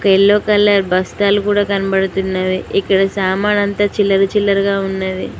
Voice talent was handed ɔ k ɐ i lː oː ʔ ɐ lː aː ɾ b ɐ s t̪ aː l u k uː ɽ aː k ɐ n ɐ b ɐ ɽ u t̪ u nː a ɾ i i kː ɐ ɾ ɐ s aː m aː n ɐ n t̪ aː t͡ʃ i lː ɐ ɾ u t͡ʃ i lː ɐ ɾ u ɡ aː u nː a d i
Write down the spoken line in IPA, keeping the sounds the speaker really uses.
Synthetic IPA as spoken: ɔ k ɐ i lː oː k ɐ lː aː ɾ b ɐ s t̪ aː l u k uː ɽ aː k ɐ n ɐ b ɐ ɽ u t̪ u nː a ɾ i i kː ɐ ɽ ɐ s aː m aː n ɐ n t̪ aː t͡ʃ i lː ɐ ɾ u t͡ʃ i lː ɐ ɾ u ɡ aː u nː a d i